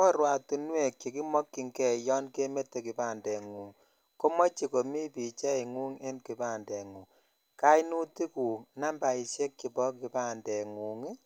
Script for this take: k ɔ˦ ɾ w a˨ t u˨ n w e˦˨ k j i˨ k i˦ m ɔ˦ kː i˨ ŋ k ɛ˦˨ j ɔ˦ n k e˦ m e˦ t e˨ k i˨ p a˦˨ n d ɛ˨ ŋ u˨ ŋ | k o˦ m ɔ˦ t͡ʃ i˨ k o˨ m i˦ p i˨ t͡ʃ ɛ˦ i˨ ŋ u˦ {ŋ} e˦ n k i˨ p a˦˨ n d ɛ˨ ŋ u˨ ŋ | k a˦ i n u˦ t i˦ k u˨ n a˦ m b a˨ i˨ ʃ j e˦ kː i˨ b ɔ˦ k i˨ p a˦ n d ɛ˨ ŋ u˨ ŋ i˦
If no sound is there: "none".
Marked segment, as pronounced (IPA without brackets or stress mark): ŋ